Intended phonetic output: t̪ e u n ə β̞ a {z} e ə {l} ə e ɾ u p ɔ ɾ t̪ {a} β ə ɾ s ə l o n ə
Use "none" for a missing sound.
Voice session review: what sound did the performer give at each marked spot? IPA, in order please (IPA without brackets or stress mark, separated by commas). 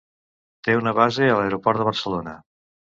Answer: z, l, ə